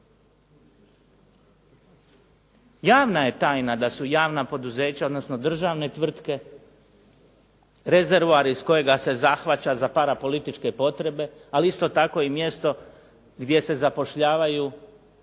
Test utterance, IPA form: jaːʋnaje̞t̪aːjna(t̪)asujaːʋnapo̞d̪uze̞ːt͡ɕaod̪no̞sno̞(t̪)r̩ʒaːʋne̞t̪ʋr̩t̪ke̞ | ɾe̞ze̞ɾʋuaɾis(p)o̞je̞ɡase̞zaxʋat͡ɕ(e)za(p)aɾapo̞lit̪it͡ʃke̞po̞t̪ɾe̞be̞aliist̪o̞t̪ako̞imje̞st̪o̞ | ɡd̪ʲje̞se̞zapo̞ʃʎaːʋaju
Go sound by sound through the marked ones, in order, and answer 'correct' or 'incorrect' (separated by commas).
incorrect, incorrect, incorrect, incorrect, correct